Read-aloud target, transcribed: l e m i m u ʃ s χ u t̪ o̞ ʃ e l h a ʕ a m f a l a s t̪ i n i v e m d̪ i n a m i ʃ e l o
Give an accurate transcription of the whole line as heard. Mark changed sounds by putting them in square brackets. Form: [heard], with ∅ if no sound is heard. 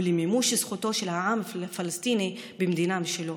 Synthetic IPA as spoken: l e m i m u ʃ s χ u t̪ o̞ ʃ e l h a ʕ a m f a l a s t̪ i n i [b] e m d̪ i n a m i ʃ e l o